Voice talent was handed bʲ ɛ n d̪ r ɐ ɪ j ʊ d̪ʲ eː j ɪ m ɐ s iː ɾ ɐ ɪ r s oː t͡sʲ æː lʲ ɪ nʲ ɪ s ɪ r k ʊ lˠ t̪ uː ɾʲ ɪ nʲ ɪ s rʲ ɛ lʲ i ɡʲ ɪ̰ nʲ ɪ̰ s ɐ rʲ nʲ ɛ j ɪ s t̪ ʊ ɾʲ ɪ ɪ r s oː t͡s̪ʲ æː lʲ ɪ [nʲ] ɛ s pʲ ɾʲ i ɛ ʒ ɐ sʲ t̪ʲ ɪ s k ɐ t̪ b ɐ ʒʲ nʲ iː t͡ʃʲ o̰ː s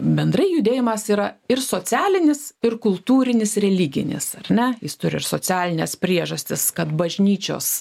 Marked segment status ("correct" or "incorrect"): correct